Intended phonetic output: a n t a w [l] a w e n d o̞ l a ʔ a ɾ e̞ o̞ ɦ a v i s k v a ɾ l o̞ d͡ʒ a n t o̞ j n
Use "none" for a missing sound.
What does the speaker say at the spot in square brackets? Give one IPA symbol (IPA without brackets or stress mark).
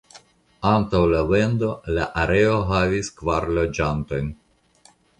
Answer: l